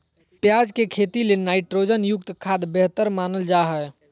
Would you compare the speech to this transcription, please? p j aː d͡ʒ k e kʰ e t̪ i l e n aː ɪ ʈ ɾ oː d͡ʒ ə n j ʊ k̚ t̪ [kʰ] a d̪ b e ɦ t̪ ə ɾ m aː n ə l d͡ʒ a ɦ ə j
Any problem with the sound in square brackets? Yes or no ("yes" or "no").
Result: no